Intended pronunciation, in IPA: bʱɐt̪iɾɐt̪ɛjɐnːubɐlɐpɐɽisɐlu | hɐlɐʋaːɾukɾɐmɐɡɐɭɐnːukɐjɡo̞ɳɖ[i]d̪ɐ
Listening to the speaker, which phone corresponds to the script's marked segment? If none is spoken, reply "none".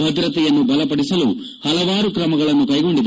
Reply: i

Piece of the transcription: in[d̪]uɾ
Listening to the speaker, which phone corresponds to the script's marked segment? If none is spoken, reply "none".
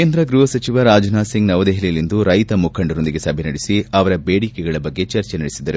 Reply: d̪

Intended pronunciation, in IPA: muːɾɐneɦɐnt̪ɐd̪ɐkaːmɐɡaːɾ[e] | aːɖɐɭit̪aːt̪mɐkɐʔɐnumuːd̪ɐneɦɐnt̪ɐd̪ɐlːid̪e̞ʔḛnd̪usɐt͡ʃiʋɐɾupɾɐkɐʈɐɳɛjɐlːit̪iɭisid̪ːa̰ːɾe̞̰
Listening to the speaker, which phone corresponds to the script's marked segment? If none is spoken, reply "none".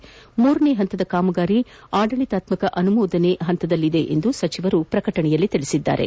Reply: i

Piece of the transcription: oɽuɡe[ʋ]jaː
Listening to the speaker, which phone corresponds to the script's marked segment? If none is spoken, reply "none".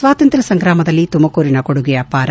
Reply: none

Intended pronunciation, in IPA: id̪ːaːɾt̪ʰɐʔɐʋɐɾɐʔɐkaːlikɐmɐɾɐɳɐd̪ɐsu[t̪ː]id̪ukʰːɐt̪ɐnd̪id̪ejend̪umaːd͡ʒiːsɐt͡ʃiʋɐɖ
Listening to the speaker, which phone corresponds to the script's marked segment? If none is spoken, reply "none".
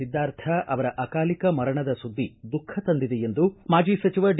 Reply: d̪ː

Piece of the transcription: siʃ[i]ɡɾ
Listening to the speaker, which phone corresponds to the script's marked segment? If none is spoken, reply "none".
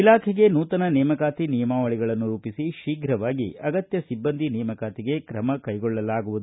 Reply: iː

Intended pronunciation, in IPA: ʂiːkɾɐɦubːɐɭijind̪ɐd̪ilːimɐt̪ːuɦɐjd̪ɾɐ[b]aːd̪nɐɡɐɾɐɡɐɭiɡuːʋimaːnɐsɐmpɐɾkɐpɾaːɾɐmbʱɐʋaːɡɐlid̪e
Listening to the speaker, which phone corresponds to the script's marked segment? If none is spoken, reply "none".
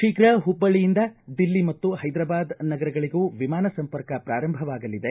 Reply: b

